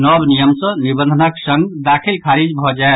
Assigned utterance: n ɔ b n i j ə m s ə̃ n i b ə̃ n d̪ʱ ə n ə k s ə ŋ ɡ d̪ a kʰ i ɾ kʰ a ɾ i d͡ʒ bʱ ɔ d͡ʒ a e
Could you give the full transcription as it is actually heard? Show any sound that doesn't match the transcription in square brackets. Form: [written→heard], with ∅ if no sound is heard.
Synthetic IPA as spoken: n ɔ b n i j ə m s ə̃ n i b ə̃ n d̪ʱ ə n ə k s ə ŋ ɡ d̪ a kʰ i [ɾ→l] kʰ a ɾ i d͡ʒ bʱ ɔ d͡ʒ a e